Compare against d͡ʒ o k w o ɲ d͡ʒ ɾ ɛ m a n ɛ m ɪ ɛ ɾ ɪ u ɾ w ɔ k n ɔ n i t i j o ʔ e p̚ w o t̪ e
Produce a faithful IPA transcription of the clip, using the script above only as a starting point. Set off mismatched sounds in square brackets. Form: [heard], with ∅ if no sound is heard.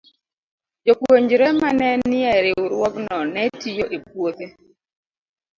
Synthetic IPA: d͡ʒ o k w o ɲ d͡ʒ ɾ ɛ m a n ɛ [n] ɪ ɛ ɾ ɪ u ɾ w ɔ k n ɔ n [ɛ] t i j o ʔ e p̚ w o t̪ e